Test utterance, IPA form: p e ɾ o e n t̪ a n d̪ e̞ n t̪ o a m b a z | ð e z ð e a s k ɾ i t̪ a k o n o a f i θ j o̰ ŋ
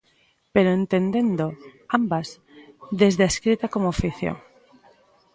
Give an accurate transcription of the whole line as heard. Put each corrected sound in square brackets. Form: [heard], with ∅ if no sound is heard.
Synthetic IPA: p e ɾ o e n t̪ [e] n d̪ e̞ n [d̪] o a m b a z | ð e z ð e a s k ɾ i t̪ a k o [m] o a f i θ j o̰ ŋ